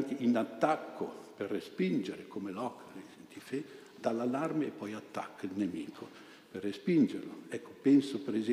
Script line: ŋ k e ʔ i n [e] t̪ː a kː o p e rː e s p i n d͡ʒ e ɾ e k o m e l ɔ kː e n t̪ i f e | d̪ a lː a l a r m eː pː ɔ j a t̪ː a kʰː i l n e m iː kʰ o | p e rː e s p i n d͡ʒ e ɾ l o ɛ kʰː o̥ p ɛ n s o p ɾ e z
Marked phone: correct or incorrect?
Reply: incorrect